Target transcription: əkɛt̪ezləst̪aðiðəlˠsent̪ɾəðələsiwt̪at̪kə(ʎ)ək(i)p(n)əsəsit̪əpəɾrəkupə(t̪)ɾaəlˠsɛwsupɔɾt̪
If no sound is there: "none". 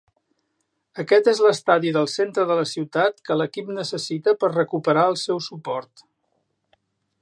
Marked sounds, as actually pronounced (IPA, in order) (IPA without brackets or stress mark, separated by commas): l, i, n, none